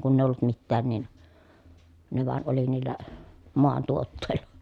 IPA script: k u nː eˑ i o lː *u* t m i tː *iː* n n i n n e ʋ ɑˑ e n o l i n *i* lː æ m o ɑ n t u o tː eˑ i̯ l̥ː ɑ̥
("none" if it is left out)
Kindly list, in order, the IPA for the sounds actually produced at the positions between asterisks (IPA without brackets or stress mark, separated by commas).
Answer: u, æː, iː